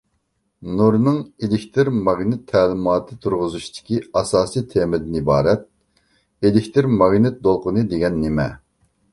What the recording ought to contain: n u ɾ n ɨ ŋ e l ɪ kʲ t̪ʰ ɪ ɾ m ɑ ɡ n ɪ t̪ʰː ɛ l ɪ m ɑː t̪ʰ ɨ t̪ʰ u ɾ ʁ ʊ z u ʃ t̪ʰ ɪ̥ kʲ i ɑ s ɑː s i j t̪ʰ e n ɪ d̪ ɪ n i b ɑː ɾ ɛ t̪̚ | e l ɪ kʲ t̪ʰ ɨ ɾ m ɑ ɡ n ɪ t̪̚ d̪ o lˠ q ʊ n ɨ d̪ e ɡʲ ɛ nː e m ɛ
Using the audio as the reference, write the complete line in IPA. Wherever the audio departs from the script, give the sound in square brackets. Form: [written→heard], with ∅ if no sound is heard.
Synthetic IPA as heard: n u ɾ n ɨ ŋ e l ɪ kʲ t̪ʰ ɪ ɾ m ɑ ɡ n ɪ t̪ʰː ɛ l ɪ m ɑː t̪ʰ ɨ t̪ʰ u ɾ ʁ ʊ z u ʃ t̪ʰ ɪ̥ kʲ i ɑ s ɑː s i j t̪ʰ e [n→m] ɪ d̪ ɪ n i b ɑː ɾ ɛ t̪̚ | e l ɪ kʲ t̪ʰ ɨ ɾ m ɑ ɡ n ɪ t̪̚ d̪ o lˠ q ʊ n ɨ d̪ e ɡʲ ɛ nː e m ɛ